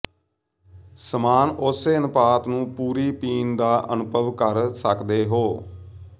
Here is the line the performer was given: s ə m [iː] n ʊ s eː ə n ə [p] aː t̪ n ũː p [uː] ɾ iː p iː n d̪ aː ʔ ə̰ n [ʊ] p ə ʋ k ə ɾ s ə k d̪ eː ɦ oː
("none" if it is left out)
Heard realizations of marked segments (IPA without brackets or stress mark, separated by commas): aː, p, uː, ʊ